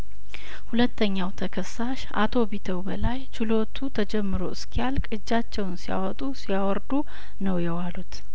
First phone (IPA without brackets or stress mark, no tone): h